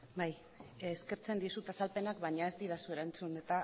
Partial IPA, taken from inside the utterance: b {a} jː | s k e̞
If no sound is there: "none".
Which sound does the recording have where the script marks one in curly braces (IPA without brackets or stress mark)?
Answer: a